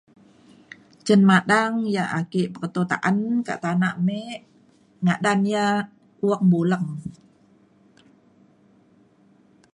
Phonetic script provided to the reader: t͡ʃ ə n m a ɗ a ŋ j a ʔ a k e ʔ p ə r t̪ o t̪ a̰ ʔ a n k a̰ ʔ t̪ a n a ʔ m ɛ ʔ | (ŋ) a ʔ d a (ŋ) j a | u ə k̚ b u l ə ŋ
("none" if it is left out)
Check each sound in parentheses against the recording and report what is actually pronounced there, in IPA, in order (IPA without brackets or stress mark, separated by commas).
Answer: ŋ, n